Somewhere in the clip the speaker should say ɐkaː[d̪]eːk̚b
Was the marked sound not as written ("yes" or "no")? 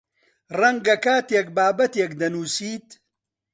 yes